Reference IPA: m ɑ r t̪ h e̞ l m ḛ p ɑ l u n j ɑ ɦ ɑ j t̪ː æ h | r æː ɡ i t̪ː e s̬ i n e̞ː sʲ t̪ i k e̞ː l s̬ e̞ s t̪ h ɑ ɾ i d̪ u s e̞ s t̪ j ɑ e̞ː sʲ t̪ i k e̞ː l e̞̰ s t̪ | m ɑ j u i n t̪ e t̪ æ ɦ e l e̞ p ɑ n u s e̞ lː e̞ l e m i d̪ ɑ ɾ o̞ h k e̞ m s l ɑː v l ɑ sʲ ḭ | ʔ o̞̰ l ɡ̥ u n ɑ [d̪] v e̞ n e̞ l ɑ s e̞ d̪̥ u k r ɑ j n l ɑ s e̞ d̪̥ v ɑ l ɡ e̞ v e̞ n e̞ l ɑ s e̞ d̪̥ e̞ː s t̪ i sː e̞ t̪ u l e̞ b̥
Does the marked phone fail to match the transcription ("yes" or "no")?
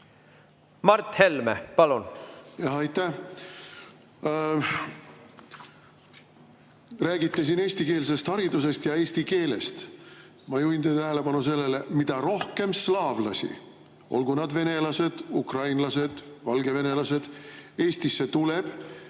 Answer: no